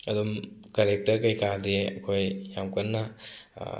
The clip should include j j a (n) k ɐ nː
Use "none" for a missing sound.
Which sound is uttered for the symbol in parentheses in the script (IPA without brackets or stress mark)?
m